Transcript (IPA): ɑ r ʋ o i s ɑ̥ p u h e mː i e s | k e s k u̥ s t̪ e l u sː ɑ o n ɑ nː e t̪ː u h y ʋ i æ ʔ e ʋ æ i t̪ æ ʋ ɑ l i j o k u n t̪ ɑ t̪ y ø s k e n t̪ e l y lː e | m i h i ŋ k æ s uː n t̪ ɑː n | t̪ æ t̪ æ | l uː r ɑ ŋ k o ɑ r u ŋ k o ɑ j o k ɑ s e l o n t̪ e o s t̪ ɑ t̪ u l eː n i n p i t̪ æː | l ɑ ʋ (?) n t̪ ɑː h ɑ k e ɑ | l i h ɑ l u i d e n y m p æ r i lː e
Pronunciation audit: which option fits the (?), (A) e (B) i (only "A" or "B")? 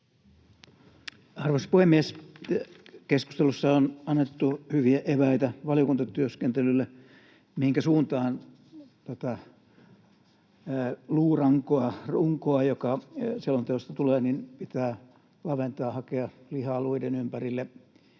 A